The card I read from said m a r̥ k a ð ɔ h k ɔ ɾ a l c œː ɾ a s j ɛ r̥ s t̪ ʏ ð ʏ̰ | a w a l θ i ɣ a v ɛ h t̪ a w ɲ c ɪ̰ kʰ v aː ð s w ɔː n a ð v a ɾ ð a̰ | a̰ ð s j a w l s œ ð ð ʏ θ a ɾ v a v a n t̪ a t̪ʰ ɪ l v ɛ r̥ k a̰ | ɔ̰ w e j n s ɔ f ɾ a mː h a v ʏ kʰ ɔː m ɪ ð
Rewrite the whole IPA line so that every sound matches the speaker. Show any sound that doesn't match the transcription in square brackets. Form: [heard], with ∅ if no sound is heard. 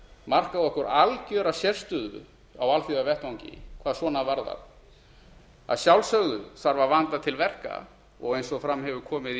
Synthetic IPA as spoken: m a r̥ k a ð ɔ h k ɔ ɾ a l c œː ɾ a s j ɛ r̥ s t̪ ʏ ð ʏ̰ | a w a l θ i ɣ a v ɛ h t̪ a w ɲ c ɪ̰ kʰ v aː ð s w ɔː n a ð v a ɾ ð a̰ | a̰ ð s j a w l s œ [ɣ] ð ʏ θ a ɾ v a v a n t̪ a t̪ʰ ɪ l v ɛ r̥ k a̰ | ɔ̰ [ɣ] e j n s ɔ f ɾ a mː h [ɛ] v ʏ kʰ ɔː m ɪ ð

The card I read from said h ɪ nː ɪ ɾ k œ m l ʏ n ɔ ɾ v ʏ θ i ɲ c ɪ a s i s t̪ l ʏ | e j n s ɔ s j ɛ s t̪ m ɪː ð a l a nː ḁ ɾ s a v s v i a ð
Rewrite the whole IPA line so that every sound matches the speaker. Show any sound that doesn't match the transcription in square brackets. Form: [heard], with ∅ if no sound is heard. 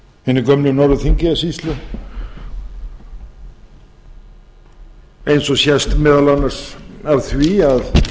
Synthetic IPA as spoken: h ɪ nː ɪ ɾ k œ m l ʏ n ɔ ɾ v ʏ θ i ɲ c ɪ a s i s t̪ l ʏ | e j n s ɔ s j ɛ s t̪ m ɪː ð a l a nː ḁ [∅] s a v [θ] v i a ð

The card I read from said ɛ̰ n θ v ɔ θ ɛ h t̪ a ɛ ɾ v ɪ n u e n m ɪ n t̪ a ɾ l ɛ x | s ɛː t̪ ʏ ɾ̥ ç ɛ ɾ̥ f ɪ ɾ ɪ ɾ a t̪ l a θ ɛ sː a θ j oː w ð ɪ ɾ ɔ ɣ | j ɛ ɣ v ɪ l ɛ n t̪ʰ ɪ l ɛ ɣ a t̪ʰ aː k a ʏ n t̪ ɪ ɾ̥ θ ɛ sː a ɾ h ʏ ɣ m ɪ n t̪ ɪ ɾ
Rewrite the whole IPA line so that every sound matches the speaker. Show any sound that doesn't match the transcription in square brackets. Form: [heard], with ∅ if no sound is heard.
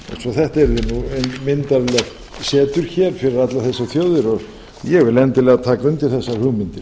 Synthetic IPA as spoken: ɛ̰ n [s] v ɔ θ ɛ h t̪ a ɛ ɾ [ð] ɪ n u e n m ɪ n t̪ a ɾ l ɛ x | s ɛː t̪ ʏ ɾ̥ ç ɛ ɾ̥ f ɪ ɾ ɪ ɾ a t̪ l a θ ɛ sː a θ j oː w ð ɪ ɾ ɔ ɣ | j ɛ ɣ v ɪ l ɛ n [t̪] ɪ l ɛ ɣ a t̪ʰ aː k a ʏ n t̪ ɪ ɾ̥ θ ɛ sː a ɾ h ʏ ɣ m ɪ n t̪ ɪ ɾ

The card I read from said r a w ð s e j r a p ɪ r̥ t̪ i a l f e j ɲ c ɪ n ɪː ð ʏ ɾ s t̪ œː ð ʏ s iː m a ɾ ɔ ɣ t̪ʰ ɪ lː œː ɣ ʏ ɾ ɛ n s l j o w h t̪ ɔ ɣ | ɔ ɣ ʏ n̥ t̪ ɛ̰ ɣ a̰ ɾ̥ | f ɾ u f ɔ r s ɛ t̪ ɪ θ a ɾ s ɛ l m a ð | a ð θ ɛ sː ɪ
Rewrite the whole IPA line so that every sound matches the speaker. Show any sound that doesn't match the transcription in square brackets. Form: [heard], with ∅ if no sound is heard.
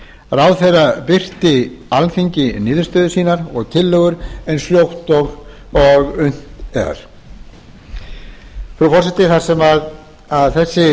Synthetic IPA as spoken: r a w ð [θ] e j r a p ɪ r̥ t̪ [ɪ] a l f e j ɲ c ɪ n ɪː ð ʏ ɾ s t̪ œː ð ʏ s iː [n] a ɾ ɔ ɣ t̪ʰ ɪ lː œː ɣ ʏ ɾ ɛ n s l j o w h t̪ ɔ ɣ | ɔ ɣ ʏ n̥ t̪ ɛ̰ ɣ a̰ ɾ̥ | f ɾ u f ɔ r s ɛ t̪ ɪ θ a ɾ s ɛ [∅] m a ð | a ð θ ɛ sː ɪ

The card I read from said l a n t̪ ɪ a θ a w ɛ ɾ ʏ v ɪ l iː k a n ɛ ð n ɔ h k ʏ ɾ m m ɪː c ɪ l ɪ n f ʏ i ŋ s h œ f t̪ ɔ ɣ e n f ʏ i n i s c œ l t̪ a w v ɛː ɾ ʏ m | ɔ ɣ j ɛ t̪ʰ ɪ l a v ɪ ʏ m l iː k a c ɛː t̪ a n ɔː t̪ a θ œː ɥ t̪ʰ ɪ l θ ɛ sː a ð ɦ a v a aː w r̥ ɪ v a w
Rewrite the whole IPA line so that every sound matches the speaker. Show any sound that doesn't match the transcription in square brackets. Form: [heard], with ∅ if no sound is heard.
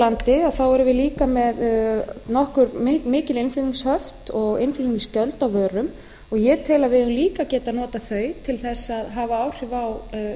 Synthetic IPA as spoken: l a n t̪ ɪ a θ a w ɛ ɾ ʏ v ɪ l iː k a [m] ɛ ð n ɔ h k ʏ ɾ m m ɪː c ɪ l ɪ n f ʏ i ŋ s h œ f t̪ ɔ ɣ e n f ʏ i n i s c œ l t̪ a w v [œː] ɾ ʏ m | ɔ ɣ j ɛ t̪ʰ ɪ l a v ɪ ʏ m l iː k a c ɛː t̪ a n ɔː t̪ a θ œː ɥ t̪ʰ ɪ l θ ɛ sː a ð ɦ a v a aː w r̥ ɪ v a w

